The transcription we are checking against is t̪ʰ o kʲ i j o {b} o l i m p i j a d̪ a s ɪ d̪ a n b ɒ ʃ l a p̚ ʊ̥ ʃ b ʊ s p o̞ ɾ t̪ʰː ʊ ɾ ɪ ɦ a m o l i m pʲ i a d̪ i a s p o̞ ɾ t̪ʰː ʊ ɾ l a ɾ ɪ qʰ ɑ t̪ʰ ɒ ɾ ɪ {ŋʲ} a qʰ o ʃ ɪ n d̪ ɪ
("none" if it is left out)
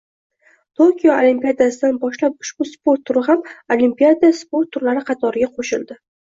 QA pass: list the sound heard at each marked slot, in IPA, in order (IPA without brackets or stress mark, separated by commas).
none, ɡʲ